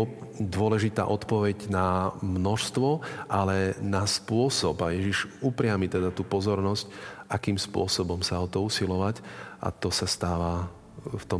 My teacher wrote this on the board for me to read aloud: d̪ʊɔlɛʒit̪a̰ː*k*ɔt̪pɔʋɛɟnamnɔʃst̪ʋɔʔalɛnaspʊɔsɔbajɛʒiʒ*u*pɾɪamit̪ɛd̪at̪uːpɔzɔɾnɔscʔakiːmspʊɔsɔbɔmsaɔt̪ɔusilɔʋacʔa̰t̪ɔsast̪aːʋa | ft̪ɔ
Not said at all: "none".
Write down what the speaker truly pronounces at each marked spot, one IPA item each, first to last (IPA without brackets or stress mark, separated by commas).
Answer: ʔ, u